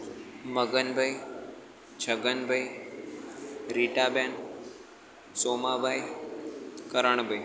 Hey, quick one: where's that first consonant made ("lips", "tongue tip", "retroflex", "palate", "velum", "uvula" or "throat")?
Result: lips